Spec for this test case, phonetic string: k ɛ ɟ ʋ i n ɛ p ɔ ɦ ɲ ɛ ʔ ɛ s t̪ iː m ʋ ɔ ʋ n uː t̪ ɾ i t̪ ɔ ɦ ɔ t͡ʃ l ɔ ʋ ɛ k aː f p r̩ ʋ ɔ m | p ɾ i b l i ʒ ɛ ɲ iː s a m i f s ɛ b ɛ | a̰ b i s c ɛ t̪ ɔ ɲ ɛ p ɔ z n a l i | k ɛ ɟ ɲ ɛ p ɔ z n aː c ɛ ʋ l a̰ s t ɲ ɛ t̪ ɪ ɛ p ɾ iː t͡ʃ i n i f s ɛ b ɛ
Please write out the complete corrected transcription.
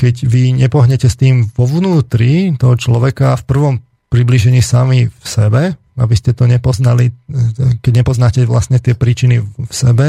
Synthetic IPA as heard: k ɛ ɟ ʋ i ɲ ɛ p ɔ ɦ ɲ ɛ c ɛ s t̪ iː m ʋ ɔ ʋ n uː t̪ ɾ i t̪ ɔ ɦ ɔ t͡ʃ l ɔ ʋ ɛ k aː f p r̩ ʋ ɔ m | p ɾ i b l i ʒ ɛ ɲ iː s a m i f s ɛ b ɛ | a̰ b i s c ɛ t̪ ɔ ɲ ɛ p ɔ z n a l i | k ɛ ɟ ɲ ɛ p ɔ z n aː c ɛ ʋ l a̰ s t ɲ ɛ t̪ ɪ ɛ p ɾ iː t͡ʃ i n i f s ɛ b ɛ